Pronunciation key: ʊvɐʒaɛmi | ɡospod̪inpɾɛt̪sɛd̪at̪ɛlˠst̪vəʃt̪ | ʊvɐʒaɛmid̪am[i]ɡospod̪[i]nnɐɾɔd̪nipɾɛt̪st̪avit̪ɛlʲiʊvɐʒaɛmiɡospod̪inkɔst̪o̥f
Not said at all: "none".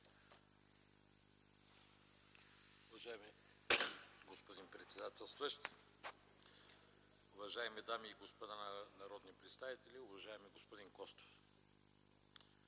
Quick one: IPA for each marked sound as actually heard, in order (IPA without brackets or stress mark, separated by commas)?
iː, a